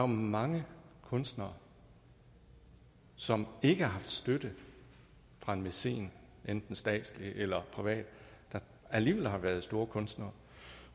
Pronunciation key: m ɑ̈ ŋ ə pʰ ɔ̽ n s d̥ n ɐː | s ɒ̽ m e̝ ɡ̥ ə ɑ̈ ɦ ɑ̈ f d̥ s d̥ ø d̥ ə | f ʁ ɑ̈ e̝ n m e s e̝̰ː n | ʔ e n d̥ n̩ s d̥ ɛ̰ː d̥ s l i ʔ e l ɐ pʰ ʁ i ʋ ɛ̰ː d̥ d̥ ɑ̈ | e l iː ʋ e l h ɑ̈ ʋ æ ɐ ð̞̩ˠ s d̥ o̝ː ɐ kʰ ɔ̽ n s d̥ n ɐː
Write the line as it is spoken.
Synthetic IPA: m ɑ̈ ŋ ə kʰ ɔ̽ n s d̥ n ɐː | s ɒ̽ m e̝ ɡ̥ ə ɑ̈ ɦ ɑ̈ f d̥ s d̥ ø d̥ ə | f ʁ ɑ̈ e̝ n m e s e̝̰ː n | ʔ e n d̥ n̩ s d̥ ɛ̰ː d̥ s l i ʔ e l ɐ pʰ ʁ i ʋ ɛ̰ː d̥ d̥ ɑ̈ | æ l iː ʋ e l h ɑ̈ ʋ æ ɐ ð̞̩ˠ s d̥ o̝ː ɐ kʰ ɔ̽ n s d̥ n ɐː